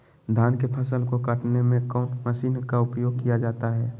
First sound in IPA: d̪ʱ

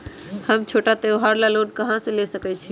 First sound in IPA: h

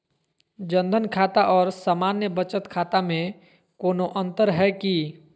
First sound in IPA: d͡ʒ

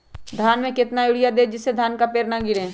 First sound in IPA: d̪ʱ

